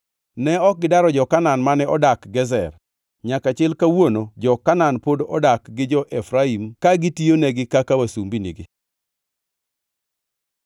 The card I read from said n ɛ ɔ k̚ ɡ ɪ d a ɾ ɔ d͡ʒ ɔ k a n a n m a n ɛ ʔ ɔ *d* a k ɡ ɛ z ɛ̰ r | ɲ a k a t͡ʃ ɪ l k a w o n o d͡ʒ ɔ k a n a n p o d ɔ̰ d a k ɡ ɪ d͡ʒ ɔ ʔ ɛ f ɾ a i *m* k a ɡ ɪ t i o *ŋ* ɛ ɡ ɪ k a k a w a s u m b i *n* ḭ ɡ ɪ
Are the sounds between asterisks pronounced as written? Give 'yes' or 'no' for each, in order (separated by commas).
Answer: yes, yes, no, yes